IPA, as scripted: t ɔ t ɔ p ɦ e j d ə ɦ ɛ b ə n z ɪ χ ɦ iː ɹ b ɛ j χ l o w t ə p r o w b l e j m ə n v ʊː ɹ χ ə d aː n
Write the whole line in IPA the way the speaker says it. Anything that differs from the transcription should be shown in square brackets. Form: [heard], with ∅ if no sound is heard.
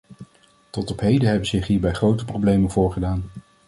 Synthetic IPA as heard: t ɔ t ɔ p ɦ e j d ə ɦ ɛ b ə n z ɪ χ ɦ iː ɹ b ɛ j χ [r] o w t ə p r o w b l e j m ə n v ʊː ɹ χ ə d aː n

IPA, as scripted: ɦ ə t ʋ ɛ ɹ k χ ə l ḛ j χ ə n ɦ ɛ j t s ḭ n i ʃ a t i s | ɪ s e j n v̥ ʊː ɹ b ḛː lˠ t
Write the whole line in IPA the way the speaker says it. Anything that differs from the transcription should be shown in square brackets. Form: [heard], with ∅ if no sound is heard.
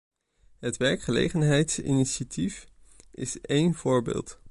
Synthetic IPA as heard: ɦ ə t ʋ ɛ ɹ k χ ə l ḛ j χ ə n ɦ ɛ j t s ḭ n i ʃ a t i [f] | ɪ s e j n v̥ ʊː ɹ b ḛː lˠ t

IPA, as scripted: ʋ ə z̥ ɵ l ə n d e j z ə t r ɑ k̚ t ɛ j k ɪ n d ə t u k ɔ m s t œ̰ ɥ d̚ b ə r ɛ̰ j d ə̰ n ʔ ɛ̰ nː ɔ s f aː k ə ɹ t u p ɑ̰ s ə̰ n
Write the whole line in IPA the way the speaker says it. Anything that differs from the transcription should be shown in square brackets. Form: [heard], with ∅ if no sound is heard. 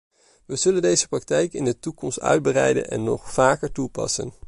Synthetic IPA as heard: ʋ ə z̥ ɵ l ə n d e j z ə [p] r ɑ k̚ t ɛ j k ɪ n d ə t u k ɔ m s t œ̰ ɥ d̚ b ə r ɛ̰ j d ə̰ n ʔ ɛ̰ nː ɔ [χ] f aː k ə ɹ t u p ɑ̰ s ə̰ n

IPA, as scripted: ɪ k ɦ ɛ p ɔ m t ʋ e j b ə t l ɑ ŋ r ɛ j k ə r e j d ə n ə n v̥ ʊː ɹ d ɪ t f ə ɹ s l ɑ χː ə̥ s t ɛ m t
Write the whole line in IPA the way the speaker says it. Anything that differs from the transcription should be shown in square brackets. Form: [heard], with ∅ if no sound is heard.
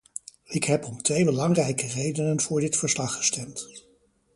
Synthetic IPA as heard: ɪ k ɦ ɛ p ɔ m t ʋ e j b ə [∅] l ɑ ŋ r ɛ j k ə r e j d ə n ə n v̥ ʊː ɹ d ɪ t f ə ɹ s l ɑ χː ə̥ s t ɛ m t

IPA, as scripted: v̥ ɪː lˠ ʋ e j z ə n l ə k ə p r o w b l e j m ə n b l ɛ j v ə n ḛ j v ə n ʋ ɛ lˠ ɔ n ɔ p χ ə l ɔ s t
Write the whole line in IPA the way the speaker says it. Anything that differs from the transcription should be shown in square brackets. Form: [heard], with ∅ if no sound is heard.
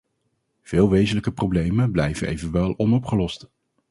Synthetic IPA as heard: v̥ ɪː lˠ ʋ e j z ə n l ə k ə p r o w b l e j m ə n b l ɛ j v ə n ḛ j v ə n ʋ ɛ lˠ ɔ n ɔ p χ ə l ɔ s t

